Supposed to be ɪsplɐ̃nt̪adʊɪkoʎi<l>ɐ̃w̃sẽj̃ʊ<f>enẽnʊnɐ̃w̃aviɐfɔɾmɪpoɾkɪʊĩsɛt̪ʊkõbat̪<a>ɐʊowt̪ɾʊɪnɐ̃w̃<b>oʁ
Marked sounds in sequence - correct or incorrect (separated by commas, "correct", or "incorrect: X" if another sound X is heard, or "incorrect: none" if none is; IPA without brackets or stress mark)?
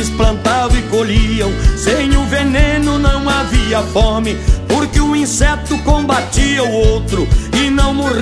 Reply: incorrect: none, incorrect: v, incorrect: i, incorrect: m